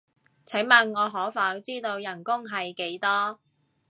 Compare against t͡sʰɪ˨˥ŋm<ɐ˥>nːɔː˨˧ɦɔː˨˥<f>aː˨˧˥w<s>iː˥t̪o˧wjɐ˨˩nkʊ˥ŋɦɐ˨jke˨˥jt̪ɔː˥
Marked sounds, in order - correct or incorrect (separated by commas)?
incorrect, correct, incorrect